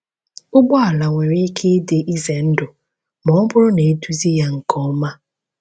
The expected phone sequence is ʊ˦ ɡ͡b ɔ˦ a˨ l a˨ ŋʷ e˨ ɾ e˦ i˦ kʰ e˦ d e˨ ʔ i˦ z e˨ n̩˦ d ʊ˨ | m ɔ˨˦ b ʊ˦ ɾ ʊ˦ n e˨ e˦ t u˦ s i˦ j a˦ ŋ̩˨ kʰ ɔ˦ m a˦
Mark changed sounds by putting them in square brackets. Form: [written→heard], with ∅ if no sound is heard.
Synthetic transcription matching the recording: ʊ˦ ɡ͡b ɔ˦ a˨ l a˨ ŋʷ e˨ ɾ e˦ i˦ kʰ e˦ d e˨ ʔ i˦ z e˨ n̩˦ d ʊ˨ | m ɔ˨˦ b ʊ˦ ɾ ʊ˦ n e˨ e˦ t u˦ [s→z] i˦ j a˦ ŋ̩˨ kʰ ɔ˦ m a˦